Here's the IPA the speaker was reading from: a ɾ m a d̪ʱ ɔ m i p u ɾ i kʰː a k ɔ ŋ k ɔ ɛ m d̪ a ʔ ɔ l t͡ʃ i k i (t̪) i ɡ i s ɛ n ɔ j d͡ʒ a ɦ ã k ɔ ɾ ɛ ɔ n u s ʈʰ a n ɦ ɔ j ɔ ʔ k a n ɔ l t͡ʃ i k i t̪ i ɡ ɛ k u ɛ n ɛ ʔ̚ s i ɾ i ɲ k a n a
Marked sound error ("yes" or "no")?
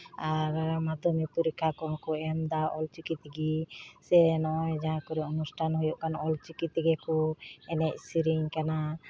no